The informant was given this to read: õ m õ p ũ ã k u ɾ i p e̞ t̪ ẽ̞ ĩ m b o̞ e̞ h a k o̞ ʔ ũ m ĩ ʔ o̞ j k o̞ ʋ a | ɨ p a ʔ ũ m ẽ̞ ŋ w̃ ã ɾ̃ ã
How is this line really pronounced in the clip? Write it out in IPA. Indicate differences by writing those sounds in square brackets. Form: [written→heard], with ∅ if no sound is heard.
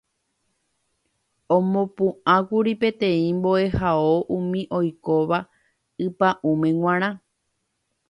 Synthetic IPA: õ m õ p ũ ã k u ɾ i p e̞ t̪ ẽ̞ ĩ m b o̞ e̞ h a [k→∅] o̞ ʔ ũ m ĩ ʔ o̞ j k o̞ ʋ a | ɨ p a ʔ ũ m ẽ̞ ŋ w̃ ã ɾ̃ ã